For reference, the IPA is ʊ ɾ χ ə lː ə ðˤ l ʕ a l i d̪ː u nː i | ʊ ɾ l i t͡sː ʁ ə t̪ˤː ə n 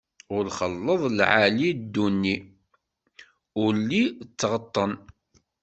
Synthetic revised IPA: ʊ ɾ χ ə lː ə ðˤ l ʕ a l i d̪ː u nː i | ʊ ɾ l i t͡sː ʁ ə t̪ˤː ə n